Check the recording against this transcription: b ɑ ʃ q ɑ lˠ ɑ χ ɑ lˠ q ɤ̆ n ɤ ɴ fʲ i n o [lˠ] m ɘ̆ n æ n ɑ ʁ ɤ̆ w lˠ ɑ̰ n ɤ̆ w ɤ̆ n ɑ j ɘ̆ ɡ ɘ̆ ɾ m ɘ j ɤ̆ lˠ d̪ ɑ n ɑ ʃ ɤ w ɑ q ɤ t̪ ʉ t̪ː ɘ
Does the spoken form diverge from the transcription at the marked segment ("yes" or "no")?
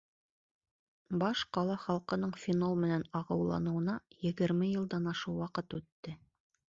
no